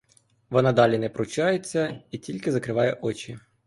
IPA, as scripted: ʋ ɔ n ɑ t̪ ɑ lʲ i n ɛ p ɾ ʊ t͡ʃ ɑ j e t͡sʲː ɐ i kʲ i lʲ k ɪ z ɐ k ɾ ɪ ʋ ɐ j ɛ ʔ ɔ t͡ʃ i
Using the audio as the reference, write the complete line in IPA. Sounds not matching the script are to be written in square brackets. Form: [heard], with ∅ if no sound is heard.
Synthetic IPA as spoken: ʋ ɔ n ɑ [d̪] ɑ lʲ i n ɛ p ɾ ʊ t͡ʃ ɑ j e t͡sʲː ɐ i [tʲ] i lʲ k ɪ z ɐ k ɾ ɪ ʋ [ɑ] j ɛ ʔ ɔ t͡ʃ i

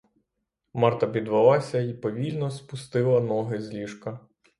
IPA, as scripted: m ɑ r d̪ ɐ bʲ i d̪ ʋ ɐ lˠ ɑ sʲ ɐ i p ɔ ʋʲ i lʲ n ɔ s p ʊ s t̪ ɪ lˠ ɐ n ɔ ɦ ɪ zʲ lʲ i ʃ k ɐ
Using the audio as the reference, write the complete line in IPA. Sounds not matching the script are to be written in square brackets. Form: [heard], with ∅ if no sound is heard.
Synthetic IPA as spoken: m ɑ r [t̪] ɐ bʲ i d̪ ʋ ɐ lˠ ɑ sʲ ɐ i p ɔ ʋʲ i lʲ n ɔ s p ʊ s t̪ ɪ lˠ ɐ n ɔ ɦ ɪ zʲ lʲ i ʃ k ɐ

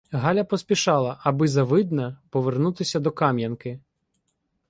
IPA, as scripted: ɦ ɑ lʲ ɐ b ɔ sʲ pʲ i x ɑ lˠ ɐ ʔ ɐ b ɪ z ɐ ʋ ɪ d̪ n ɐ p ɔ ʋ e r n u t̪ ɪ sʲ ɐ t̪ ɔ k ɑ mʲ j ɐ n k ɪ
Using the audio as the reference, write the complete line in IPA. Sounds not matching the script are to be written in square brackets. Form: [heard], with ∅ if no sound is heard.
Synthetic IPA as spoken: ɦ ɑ lʲ ɐ [p] ɔ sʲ pʲ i [ʃ] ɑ lˠ ɐ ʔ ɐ b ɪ z ɐ ʋ ɪ d̪ n ɐ p ɔ ʋ e r n u t̪ ɪ sʲ ɐ [d̪] ɔ k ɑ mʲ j ɐ n k ɪ

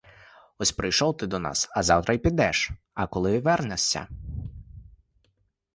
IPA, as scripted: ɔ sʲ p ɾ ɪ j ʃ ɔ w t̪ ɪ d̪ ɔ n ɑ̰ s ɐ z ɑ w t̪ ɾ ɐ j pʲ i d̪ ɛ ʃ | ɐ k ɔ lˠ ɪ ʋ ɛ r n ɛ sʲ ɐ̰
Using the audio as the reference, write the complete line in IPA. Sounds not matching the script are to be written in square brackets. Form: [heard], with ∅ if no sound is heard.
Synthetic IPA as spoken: ɔ sʲ p ɾ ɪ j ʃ ɔ w t̪ ɪ d̪ ɔ n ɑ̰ s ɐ z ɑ w t̪ ɾ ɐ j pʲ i d̪ ɛ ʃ | ɐ k ɔ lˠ ɪ ʋ ɛ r n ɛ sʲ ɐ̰

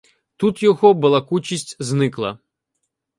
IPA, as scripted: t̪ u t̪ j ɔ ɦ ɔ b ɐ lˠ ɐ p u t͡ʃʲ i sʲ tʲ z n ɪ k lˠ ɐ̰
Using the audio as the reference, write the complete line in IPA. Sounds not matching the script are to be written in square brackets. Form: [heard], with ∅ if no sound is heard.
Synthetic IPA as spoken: t̪ u t̪ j ɔ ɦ ɔ b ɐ lˠ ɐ [k] u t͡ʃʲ i sʲ tʲ z n ɪ k lˠ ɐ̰

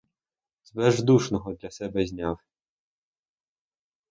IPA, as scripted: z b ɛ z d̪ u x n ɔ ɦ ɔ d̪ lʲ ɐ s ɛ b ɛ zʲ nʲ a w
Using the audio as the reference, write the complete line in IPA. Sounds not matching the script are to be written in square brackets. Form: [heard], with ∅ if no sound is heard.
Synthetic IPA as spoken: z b ɛ [ʒ] d̪ u [ʃ] n ɔ ɦ ɔ d̪ lʲ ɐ s ɛ b ɛ zʲ nʲ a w

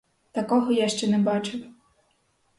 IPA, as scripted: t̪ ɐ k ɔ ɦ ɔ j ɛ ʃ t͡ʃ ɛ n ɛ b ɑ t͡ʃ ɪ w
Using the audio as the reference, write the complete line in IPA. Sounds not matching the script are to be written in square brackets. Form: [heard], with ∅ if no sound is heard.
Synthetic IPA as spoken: t̪ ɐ k ɔ ɦ ɔ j [a] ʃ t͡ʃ ɛ n ɛ b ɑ t͡ʃ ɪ w

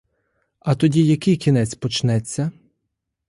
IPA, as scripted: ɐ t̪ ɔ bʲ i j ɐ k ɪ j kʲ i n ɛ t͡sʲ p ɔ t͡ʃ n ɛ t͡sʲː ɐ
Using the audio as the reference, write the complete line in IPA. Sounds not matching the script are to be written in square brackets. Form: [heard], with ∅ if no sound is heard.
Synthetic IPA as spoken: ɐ t̪ ɔ [dʲ] i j ɐ k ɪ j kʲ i n ɛ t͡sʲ p ɔ t͡ʃ n ɛ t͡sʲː ɐ

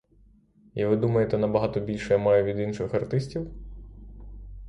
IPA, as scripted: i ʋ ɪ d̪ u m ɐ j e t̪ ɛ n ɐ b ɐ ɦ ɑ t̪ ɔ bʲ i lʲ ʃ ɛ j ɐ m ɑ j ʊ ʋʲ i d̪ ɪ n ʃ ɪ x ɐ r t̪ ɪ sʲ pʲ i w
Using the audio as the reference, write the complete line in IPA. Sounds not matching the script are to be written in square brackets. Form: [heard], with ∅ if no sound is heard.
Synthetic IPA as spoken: i ʋ ɪ d̪ u m ɐ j e t̪ ɛ n ɐ b ɐ ɦ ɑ t̪ ɔ bʲ i lʲ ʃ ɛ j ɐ m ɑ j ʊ ʋʲ i d̪ [i] n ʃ ɪ x ɐ r t̪ ɪ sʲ [tʲ] i w

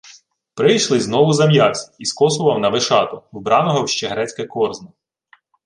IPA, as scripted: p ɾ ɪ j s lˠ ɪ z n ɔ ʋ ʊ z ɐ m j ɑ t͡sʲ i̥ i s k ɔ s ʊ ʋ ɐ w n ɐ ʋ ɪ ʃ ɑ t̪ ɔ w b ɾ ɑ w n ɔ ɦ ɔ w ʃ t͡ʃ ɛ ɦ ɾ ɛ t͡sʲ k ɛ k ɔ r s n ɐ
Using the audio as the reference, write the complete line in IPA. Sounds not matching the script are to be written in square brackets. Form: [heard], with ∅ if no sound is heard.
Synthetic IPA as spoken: p ɾ ɪ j [ʃ] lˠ ɪ z n ɔ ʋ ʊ z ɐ m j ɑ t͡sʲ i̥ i s k ɔ s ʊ ʋ ɐ w n ɐ ʋ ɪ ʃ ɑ t̪ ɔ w b ɾ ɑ [∅] n ɔ ɦ ɔ w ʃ t͡ʃ ɛ ɦ ɾ ɛ t͡sʲ k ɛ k ɔ r [z] n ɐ

